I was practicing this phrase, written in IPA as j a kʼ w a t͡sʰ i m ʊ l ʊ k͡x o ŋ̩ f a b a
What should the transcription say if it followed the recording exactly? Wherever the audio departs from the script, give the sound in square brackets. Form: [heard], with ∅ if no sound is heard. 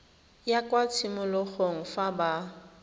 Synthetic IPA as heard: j a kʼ w a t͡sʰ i m ʊ l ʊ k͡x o ŋ̩ f a b a